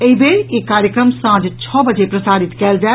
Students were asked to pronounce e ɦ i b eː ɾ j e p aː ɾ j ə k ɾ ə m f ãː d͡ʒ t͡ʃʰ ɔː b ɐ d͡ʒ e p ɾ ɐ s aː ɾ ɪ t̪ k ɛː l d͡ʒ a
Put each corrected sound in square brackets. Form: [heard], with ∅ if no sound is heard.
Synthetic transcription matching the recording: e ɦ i b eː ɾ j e [k] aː ɾ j ə k ɾ ə m [s] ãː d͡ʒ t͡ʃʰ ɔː b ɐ d͡ʒ e p ɾ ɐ s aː ɾ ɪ t̪ k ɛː l d͡ʒ a